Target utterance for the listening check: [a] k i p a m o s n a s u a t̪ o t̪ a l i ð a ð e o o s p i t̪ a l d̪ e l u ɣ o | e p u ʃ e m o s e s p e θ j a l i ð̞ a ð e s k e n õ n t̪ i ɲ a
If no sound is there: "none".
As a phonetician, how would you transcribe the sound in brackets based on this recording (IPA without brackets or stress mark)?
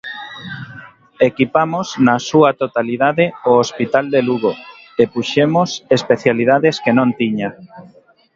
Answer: e